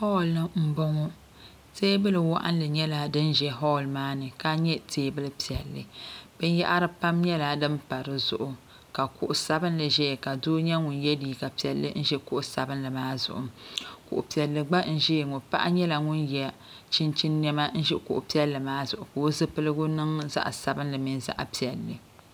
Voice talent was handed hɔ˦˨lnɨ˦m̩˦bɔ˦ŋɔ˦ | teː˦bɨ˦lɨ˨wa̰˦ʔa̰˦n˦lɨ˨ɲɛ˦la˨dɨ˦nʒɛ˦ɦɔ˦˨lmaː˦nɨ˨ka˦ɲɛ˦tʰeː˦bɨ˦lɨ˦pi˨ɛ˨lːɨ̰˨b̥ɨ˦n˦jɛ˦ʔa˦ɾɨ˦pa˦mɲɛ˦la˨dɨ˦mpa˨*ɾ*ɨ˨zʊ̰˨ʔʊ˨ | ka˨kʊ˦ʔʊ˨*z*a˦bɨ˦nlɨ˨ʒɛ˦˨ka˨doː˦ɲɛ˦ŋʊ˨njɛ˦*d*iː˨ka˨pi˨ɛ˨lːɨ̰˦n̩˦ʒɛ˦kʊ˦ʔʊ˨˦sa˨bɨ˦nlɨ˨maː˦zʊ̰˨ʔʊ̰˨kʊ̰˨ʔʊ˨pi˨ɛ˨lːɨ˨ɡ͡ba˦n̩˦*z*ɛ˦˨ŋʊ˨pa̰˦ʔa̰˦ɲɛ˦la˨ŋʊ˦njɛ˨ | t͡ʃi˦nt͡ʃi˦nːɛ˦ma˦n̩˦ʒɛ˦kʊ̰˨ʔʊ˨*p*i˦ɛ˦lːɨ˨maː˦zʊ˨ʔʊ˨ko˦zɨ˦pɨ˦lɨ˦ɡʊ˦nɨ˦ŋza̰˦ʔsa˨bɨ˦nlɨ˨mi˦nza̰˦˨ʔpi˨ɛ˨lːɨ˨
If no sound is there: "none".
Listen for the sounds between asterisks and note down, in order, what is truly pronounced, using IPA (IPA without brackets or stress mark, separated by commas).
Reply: ɾ, s, d, ʒ, p